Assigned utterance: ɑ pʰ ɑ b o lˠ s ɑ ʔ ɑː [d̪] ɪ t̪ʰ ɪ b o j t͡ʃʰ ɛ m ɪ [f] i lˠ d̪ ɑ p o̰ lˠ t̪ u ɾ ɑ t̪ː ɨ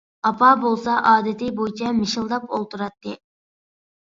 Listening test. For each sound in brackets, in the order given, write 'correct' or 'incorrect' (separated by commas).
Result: correct, incorrect